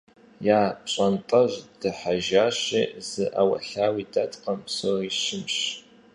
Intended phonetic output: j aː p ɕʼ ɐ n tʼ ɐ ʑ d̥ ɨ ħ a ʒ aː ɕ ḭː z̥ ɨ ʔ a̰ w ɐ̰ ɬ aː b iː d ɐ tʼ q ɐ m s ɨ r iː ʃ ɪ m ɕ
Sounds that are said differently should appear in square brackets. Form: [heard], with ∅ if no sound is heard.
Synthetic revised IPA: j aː p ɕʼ ɐ n tʼ ɐ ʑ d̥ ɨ ħ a ʒ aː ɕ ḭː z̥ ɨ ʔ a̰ w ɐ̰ ɬ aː [w] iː d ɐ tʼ q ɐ m s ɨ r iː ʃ ɪ m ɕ